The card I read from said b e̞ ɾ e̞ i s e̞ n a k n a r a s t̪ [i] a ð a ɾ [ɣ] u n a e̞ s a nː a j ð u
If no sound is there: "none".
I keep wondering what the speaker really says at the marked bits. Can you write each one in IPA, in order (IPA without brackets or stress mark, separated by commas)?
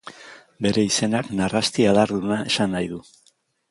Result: i, ð